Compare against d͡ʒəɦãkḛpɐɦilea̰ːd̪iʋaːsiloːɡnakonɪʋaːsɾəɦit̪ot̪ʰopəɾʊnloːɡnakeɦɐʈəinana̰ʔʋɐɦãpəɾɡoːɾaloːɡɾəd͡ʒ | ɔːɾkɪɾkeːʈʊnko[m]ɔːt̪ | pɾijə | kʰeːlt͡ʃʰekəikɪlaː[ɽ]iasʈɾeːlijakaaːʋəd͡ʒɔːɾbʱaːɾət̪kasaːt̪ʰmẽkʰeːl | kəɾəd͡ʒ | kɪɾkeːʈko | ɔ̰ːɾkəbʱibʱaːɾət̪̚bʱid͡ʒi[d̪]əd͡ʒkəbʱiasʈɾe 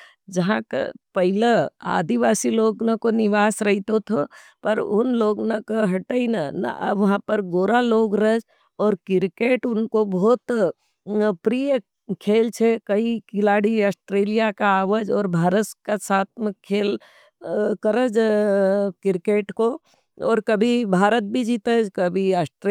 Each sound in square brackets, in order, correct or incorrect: incorrect: b, correct, incorrect: t̪

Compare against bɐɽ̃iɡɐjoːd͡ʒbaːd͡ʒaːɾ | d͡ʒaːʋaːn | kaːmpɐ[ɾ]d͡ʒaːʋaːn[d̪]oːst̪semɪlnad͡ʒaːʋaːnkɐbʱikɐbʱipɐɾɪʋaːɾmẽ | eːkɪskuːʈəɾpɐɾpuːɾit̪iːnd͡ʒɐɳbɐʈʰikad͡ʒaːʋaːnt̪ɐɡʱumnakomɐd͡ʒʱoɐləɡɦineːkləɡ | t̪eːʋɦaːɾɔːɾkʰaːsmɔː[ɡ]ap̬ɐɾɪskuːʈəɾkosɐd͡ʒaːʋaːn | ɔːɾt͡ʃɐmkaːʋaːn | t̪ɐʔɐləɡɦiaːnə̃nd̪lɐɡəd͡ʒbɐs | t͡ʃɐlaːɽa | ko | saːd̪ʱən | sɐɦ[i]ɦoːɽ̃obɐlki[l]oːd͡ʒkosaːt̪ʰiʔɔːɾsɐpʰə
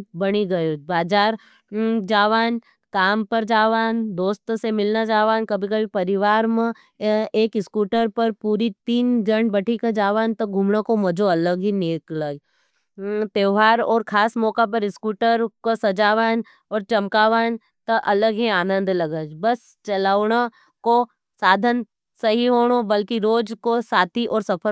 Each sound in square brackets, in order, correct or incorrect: correct, correct, incorrect: k, correct, incorrect: ɾ

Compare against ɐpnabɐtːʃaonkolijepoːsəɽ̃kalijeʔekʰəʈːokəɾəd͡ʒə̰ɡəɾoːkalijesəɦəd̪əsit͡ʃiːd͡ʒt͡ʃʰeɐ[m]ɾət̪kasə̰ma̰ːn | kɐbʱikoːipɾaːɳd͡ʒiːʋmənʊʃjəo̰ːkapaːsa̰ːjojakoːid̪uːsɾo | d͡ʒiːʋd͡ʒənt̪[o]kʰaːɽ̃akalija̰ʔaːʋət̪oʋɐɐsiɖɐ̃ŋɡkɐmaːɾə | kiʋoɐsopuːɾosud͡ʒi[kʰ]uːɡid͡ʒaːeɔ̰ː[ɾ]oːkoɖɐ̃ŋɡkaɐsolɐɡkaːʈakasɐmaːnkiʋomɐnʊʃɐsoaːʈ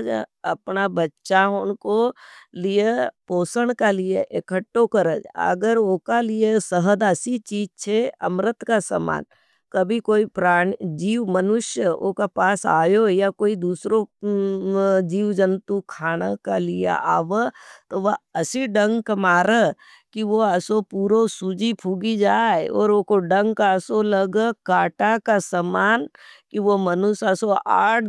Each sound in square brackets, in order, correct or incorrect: correct, incorrect: u, incorrect: pʰ, correct

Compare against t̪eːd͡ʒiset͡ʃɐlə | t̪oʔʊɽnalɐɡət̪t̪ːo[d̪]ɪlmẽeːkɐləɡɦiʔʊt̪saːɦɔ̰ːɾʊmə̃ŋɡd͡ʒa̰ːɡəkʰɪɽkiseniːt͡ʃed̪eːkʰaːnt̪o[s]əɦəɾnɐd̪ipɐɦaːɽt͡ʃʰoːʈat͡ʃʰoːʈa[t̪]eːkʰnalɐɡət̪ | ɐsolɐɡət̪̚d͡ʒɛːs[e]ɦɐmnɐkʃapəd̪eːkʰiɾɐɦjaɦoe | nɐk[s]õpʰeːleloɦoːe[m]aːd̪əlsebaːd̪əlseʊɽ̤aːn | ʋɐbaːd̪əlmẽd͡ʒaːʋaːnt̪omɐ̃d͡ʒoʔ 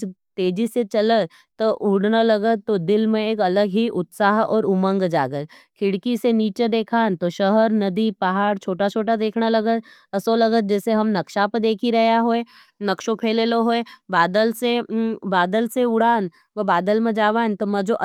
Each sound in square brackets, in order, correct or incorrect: correct, incorrect: ʃ, incorrect: d̪, correct, incorrect: ʃ, incorrect: b

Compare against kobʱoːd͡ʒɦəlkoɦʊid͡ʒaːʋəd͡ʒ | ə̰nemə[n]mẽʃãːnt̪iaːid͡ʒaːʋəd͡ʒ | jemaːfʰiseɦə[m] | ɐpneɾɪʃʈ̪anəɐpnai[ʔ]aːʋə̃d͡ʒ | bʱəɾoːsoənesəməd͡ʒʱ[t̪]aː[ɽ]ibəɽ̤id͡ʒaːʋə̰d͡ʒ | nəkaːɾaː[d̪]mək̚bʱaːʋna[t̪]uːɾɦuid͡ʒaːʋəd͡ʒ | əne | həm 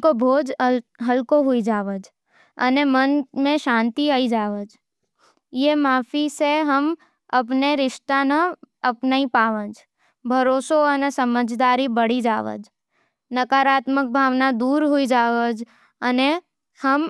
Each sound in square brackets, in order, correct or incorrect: correct, correct, incorrect: p, incorrect: d̪, incorrect: ɾ, incorrect: t̪, incorrect: d̪

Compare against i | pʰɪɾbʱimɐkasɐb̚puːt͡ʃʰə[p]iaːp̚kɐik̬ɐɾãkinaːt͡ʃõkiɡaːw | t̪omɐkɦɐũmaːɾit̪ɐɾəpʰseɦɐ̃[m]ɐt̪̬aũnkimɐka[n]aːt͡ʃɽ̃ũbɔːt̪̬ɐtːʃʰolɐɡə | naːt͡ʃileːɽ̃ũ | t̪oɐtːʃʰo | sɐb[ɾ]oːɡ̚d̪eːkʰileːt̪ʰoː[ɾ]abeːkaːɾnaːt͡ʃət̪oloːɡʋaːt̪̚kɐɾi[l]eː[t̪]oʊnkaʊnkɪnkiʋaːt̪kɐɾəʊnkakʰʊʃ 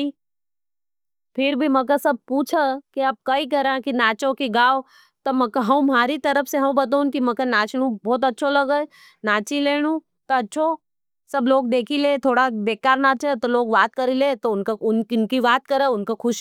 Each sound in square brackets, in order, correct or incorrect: incorrect: k, incorrect: b, correct, incorrect: l, incorrect: ɽ, correct, correct

